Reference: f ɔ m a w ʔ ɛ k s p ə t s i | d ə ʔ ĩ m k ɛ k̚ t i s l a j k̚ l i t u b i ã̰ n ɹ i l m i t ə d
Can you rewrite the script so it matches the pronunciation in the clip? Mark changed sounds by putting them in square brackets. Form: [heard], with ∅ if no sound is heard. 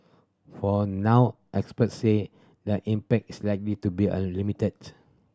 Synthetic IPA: f ɔ [n] a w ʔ ɛ k s p ə t s [e] | d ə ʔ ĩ m [p] ɛ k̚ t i s l a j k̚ l i t u b i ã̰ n [l] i [∅] m i t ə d